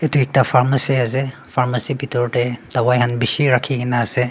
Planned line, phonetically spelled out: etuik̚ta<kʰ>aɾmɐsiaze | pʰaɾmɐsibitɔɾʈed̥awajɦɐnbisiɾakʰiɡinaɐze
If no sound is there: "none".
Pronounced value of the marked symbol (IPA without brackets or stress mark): pʰ